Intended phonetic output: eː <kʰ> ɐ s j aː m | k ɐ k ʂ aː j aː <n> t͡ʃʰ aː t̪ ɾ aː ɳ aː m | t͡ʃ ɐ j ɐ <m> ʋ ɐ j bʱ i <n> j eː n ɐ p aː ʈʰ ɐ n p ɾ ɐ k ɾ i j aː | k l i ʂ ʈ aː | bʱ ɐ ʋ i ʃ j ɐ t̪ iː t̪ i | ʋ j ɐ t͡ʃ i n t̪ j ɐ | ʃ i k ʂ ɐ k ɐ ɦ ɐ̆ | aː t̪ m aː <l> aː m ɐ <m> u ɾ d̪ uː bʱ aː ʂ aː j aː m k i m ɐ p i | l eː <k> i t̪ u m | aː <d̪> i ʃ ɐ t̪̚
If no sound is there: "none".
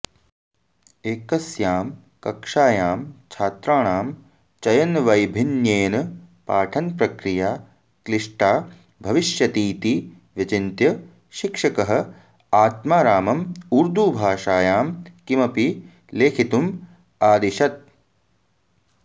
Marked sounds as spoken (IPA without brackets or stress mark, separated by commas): k, m, n, n, ɾ, m, kʰ, d̪